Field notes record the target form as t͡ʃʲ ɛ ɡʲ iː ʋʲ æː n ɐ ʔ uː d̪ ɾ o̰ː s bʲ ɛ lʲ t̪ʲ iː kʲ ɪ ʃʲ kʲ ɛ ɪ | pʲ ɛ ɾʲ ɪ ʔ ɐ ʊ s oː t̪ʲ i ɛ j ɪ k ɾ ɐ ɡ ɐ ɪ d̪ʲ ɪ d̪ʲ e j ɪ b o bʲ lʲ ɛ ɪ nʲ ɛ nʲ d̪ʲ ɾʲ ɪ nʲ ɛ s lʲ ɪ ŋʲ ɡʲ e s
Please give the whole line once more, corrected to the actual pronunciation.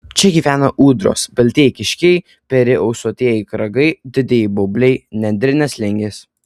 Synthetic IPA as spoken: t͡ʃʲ ɛ ɡʲ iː ʋʲ æː n ɐ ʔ uː d̪ ɾ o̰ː s bʲ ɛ lʲ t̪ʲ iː kʲ ɪ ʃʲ kʲ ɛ ɪ | pʲ ɛ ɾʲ ɪ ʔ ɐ ʊ s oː t̪ʲ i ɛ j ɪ k ɾ ɐ ɡ ɐ ɪ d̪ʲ ɪ d̪ʲ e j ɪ b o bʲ lʲ ɛ ɪ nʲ ɛ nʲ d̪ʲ ɾʲ ɪ nʲ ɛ s lʲ ɪ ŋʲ ɡʲ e s